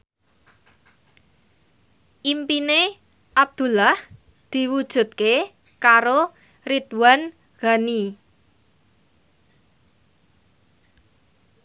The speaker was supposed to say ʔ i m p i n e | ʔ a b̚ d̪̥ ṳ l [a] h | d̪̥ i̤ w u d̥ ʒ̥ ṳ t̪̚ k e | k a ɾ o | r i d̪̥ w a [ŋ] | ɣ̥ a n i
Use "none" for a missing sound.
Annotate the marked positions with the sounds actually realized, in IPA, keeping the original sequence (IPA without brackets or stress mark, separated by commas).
a, n